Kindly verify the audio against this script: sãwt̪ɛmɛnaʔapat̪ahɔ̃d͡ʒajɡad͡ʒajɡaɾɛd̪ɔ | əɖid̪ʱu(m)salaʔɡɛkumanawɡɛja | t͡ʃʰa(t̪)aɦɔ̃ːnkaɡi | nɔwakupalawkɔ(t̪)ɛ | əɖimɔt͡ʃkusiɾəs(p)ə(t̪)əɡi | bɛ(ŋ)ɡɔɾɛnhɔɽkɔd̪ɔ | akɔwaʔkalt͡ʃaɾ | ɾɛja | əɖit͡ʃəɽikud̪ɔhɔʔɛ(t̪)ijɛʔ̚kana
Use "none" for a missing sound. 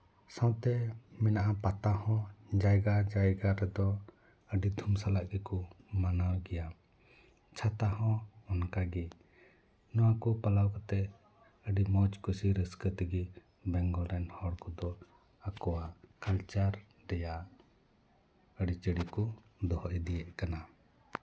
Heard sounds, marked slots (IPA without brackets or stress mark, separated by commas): m, t̪, t̪, k, t̪, ŋ, d̪